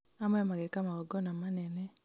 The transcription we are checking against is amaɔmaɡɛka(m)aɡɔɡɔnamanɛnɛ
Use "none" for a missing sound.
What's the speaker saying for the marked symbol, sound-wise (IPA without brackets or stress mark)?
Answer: m